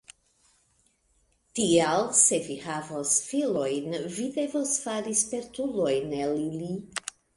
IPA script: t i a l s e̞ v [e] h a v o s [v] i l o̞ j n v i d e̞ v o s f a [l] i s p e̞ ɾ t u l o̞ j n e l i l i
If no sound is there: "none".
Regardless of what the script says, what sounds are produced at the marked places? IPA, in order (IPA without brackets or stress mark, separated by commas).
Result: i, f, ɾ